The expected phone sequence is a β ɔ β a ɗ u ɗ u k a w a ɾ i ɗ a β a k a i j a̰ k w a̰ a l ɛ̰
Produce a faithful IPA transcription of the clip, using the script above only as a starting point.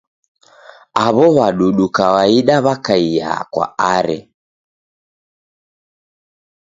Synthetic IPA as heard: a β ɔ β a ɗ u ɗ u k a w a i ɗ a β a k a i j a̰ k w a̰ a ɾ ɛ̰